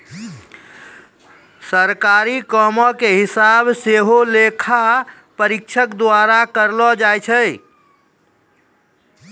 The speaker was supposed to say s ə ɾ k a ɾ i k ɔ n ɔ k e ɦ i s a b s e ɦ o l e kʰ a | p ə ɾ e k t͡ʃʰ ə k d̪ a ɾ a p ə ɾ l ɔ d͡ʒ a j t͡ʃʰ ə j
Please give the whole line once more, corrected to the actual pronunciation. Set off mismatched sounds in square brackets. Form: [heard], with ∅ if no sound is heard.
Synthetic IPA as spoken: s ə ɾ k a ɾ i k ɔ [m] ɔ k e ɦ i s a b s e ɦ o l e kʰ a | p ə ɾ [i] k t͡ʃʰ ə k d̪ a ɾ a [k] ə ɾ l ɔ d͡ʒ a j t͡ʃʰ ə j